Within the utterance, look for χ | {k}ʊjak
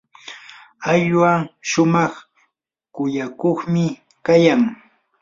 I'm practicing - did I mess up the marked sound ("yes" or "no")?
no